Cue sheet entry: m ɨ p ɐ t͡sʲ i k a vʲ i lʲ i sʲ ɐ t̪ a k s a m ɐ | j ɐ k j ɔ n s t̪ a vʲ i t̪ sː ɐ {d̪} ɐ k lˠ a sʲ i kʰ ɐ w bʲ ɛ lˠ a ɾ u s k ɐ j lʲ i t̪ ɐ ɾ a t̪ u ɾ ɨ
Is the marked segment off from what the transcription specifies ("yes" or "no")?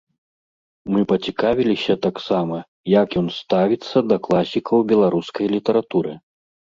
no